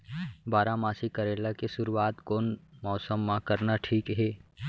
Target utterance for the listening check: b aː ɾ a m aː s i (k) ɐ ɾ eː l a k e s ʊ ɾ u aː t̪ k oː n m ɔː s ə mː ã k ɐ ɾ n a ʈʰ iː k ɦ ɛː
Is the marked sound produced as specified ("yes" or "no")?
yes